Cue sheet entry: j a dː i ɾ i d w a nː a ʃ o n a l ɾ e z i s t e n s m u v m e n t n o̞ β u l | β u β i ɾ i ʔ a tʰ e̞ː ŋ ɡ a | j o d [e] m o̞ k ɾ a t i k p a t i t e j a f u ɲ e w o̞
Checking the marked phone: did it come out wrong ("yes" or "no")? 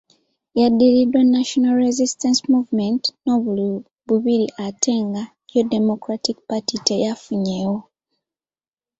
no